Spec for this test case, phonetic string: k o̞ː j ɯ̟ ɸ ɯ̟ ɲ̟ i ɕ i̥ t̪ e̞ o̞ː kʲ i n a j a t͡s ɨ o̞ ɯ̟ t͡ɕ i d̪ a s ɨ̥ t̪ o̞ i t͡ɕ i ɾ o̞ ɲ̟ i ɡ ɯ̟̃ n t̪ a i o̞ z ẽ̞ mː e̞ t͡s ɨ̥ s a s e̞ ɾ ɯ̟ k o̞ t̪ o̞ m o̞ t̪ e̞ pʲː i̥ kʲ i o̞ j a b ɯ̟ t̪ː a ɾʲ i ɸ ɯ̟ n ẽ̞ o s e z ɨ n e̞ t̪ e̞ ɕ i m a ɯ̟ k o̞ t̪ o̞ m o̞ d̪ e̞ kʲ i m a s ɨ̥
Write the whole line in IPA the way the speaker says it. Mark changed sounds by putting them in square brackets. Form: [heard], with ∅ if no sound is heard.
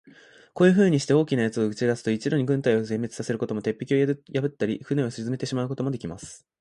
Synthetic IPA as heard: k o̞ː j ɯ̟ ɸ [ɯ̟ː] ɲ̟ i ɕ i̥ t̪ e̞ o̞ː kʲ i n a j a t͡s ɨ o̞ ɯ̟ t͡ɕ i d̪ a s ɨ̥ t̪ o̞ i t͡ɕ i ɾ o̞ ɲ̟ i ɡ ɯ̟̃ n t̪ a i o̞ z ẽ̞ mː e̞ t͡s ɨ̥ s a s e̞ ɾ ɯ̟ k o̞ t̪ o̞ m o̞ t̪ e̞ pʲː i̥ kʲ i o̞ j a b ɯ̟ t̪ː a ɾʲ i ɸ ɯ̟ n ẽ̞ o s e z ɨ [m] e̞ t̪ e̞ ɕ i m a ɯ̟ k o̞ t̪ o̞ m o̞ d̪ e̞ kʲ i m a s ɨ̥